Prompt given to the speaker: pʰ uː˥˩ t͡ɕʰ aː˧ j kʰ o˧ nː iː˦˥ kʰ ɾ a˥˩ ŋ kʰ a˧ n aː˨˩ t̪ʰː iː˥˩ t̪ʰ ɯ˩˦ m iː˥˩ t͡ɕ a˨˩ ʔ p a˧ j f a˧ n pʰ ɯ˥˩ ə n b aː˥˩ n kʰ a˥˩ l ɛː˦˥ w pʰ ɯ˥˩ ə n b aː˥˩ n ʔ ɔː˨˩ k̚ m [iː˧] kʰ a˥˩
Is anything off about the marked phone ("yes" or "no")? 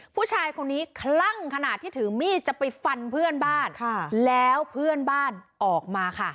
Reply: yes